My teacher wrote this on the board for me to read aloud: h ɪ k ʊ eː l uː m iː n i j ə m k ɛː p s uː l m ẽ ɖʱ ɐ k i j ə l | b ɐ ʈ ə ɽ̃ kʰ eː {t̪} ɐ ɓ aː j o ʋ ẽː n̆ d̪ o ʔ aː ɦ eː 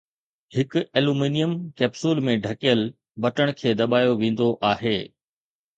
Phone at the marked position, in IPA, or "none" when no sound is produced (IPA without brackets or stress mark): d̪